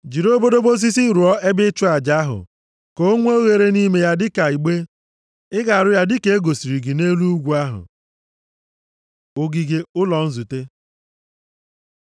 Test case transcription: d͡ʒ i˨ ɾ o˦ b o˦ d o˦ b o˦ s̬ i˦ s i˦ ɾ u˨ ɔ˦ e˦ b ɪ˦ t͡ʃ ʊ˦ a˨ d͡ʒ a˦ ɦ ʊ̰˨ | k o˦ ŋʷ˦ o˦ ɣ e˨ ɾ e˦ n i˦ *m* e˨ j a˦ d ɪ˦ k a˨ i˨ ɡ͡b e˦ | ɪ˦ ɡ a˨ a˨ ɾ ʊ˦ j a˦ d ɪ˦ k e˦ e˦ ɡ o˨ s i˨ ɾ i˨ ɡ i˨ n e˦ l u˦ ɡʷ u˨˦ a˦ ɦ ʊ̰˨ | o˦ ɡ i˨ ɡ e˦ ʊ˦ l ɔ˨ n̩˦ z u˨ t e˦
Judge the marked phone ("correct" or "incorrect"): correct